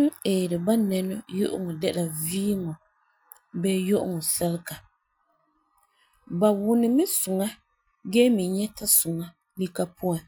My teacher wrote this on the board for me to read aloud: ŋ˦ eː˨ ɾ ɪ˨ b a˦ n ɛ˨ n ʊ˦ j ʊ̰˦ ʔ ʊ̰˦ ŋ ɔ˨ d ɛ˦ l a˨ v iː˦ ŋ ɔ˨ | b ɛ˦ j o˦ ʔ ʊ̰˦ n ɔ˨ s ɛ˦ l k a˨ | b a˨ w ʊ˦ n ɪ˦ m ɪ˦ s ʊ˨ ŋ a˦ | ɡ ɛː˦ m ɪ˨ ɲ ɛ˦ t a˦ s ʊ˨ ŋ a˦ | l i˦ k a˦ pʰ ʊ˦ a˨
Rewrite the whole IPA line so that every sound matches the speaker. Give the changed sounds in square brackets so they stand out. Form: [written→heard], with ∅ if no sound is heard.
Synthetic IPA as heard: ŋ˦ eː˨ ɾ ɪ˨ b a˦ n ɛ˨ n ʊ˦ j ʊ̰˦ ʔ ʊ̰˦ ŋ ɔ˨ d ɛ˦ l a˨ v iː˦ ŋ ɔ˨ | b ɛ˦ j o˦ ʔ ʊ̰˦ [n→ŋ] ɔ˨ s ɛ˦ l k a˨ | b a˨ w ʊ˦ n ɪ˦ m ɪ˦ s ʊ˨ ŋ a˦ | ɡ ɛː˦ m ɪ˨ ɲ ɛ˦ t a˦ s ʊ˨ ŋ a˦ | l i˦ k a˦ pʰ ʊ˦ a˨